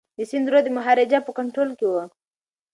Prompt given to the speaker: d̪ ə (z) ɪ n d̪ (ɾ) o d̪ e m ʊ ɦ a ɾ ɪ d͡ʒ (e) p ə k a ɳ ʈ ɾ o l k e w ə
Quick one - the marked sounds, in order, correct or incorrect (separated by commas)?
incorrect, correct, incorrect